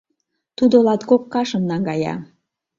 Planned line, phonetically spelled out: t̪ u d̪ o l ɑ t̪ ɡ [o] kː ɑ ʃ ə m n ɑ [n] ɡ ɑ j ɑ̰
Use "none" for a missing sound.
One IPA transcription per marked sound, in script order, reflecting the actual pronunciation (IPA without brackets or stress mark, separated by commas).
o, ŋ